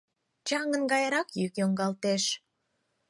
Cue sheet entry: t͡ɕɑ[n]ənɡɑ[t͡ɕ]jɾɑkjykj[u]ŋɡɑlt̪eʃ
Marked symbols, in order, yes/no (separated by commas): no, no, no